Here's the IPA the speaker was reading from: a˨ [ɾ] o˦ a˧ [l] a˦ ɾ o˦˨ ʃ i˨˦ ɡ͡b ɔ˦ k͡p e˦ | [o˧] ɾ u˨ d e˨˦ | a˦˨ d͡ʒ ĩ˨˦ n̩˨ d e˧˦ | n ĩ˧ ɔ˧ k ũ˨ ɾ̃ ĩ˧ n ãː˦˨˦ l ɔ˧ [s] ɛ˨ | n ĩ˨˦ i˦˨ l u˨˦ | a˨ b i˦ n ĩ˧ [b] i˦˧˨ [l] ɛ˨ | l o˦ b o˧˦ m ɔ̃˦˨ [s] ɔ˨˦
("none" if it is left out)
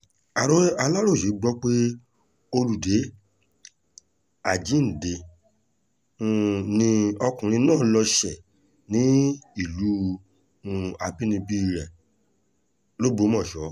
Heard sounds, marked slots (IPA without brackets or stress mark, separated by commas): ɾ, l, o˧, ʃ, b, ɾ, ʃ